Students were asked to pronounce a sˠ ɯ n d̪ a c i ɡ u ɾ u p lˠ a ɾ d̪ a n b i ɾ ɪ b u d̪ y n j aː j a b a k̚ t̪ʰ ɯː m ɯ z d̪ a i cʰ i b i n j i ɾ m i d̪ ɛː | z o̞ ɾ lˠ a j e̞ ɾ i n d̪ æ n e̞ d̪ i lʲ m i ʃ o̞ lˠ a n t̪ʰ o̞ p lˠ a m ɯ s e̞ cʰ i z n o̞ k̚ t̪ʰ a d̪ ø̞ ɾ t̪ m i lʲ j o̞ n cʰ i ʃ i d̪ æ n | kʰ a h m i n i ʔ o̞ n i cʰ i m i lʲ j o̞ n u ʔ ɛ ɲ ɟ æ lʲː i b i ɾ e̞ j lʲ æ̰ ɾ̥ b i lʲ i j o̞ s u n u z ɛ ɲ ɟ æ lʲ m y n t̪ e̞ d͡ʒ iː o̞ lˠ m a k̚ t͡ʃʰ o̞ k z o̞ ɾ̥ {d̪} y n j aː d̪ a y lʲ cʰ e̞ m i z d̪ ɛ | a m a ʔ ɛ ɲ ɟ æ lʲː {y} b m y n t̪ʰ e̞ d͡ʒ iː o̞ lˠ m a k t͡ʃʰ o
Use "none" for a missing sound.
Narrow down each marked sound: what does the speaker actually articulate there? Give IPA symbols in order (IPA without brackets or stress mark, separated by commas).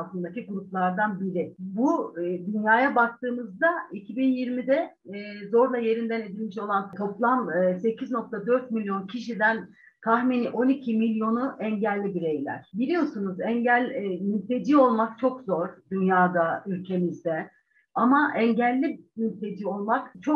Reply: d̪, i